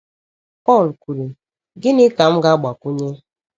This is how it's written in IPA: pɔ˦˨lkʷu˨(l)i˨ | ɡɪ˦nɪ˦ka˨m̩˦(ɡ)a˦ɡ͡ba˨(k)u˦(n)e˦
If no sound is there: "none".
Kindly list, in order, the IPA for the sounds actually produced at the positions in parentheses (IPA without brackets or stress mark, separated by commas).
ɾ, ɡ, k, ɲ